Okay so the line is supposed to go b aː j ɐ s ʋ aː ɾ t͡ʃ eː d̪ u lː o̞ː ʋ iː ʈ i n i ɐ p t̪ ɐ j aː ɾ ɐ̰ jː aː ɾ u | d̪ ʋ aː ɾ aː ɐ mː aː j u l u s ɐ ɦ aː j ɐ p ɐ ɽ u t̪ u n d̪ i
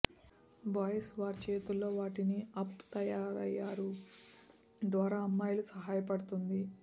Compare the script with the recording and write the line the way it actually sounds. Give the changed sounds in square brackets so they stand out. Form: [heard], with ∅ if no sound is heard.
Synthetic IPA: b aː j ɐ s ʋ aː ɾ t͡ʃ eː [t̪] u lː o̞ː ʋ [aː] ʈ i n i ɐ p t̪ ɐ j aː ɾ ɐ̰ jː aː ɾ u | d̪ ʋ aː ɾ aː ɐ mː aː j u l u s ɐ ɦ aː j ɐ p ɐ ɽ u t̪ u n d̪ i